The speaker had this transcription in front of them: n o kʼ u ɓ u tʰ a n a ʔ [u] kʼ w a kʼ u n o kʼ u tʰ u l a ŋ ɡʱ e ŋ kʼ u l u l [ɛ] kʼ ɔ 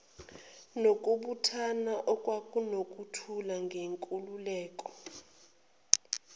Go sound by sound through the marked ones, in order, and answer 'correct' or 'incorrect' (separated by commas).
incorrect, incorrect